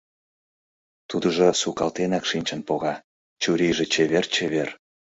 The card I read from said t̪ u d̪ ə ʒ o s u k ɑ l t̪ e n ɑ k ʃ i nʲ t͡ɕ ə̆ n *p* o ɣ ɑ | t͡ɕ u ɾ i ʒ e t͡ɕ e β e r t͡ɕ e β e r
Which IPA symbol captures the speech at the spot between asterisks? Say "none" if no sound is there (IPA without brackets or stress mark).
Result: p